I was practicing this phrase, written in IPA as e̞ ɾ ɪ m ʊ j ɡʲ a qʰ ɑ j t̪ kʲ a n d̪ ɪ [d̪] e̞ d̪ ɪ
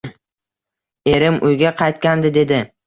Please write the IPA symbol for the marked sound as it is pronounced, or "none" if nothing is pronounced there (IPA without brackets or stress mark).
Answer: d̪